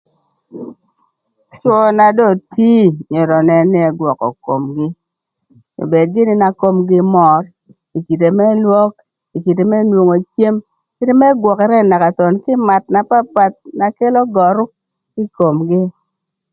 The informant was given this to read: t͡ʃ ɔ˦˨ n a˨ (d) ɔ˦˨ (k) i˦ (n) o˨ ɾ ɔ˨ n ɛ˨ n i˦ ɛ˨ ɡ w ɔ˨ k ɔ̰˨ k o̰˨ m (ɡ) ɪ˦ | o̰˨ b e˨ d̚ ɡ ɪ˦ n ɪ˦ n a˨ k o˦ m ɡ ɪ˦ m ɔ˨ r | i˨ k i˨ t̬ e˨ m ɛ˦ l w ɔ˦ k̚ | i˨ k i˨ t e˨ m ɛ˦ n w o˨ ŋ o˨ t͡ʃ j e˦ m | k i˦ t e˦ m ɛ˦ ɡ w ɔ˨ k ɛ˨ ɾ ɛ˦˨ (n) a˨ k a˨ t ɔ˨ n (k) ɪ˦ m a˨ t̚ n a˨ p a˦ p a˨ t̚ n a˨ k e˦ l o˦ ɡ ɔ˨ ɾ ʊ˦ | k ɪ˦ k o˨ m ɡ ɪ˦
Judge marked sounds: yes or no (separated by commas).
yes, no, no, yes, yes, yes